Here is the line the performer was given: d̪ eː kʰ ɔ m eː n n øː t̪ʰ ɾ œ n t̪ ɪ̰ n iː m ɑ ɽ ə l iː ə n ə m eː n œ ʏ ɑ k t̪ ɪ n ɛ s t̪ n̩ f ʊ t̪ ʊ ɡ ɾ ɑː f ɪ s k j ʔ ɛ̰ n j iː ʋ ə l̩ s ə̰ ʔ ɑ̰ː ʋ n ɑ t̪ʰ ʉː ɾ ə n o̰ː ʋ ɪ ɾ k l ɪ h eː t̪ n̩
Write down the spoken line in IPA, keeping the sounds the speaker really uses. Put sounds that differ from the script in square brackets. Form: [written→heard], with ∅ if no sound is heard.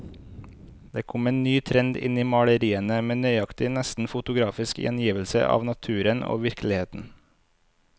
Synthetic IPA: d̪ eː kʰ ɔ m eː n n [øː→yː] t̪ʰ ɾ [œ→ɛ] n [t̪→d̪] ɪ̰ n iː m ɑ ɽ ə [l→ɾ] iː ə n ə m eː n œ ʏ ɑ k t̪ ɪ n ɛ s t̪ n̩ f ʊ t̪ ʊ ɡ ɾ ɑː f ɪ s k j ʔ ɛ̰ n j iː ʋ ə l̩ s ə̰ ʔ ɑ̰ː ʋ n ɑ t̪ʰ ʉː ɾ ə n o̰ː ʋ ɪ ɾ k l ɪ h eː t̪ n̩